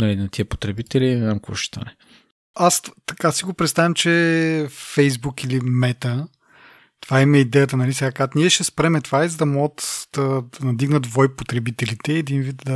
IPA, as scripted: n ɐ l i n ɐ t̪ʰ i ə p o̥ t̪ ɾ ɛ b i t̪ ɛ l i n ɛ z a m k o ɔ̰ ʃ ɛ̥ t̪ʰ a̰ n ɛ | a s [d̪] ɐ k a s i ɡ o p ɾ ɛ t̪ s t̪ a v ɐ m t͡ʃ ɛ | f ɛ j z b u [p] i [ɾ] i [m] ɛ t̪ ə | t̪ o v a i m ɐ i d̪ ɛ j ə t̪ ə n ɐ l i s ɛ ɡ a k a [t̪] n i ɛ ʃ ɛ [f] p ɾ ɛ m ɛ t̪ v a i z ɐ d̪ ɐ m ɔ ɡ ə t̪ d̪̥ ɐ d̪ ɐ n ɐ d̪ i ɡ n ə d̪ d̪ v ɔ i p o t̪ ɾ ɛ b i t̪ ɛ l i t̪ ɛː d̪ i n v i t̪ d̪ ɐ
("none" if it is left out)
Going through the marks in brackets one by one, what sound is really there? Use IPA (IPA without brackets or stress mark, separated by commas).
t̪, k, l, m, t̪, s